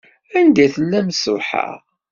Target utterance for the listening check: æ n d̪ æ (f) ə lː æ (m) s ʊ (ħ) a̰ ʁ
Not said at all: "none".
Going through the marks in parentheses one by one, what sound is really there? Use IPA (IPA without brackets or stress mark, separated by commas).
θ, m, ħ